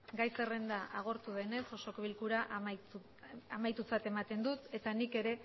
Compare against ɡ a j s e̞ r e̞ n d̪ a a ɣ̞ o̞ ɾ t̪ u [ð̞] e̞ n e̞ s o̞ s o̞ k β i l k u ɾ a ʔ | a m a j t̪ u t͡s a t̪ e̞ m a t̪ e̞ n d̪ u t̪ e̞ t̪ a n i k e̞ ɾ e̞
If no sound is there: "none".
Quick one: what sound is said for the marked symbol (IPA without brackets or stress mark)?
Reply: ð̞